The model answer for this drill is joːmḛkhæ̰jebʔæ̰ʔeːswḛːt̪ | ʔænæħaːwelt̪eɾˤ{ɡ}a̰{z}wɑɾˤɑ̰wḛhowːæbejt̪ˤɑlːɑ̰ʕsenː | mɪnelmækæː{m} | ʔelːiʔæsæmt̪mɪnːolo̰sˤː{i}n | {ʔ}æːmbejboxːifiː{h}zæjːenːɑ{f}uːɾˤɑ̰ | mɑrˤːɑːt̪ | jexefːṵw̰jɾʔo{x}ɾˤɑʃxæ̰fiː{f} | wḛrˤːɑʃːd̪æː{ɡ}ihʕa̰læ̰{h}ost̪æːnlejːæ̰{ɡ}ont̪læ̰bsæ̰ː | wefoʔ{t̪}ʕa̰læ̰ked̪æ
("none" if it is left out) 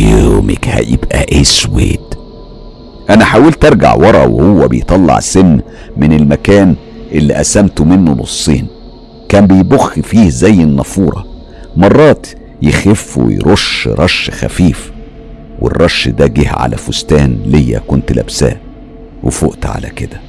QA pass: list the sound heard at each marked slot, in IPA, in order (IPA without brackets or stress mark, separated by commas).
ɡ, ʕ, n, iː, k, h, f, ʃ, f, ɡ, f, k, t̪